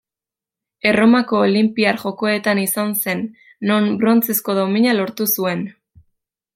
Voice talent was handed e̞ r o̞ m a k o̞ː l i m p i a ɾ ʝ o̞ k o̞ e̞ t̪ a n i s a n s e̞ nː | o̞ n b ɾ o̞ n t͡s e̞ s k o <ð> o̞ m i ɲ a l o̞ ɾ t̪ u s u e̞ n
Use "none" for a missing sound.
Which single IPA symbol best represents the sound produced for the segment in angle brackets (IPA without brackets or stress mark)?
ð